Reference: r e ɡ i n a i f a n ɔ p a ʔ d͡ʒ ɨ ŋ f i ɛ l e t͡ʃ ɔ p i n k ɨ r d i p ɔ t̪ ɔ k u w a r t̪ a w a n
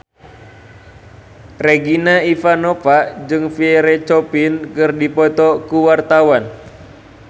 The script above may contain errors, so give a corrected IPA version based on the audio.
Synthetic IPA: r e ɡ i n a i f a n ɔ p a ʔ d͡ʒ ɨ ŋ f i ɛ ɾ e t͡ʃ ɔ p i n k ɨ r d i p ɔ t̪ ɔ k u w a r t̪ a w a n